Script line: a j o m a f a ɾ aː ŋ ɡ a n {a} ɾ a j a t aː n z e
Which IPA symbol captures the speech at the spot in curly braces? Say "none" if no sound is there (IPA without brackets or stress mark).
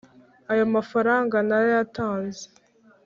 a